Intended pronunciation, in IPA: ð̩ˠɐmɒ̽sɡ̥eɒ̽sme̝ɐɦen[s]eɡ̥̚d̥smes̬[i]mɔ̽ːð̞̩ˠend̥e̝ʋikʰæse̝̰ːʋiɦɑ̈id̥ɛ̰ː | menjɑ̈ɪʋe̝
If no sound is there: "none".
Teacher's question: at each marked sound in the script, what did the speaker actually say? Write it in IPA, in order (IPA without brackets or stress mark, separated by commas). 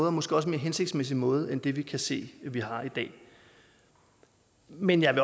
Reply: s, i